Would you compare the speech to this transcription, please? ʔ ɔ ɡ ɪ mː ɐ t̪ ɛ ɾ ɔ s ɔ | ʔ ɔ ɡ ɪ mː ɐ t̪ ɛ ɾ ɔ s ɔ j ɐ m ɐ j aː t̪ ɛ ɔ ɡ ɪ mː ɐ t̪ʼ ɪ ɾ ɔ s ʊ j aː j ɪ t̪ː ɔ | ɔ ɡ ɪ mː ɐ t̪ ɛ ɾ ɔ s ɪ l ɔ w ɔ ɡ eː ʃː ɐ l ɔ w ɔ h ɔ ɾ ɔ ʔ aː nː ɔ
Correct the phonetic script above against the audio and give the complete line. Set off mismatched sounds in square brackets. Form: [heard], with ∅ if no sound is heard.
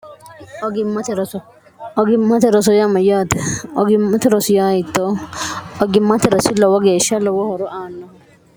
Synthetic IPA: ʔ ɔ ɡ ɪ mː ɐ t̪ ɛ ɾ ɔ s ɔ | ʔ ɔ ɡ ɪ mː ɐ t̪ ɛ ɾ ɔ s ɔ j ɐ m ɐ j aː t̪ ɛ ɔ ɡ ɪ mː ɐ [t̪] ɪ ɾ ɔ s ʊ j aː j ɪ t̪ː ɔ | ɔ ɡ ɪ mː ɐ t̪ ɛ ɾ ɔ s ɪ l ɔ w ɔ ɡ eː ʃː ɐ l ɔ w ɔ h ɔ ɾ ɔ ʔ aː nː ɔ